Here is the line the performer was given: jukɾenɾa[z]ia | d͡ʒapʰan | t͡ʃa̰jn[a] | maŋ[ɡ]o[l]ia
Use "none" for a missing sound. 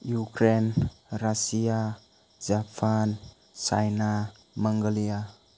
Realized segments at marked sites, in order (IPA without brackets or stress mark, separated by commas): s, a, ɡ, l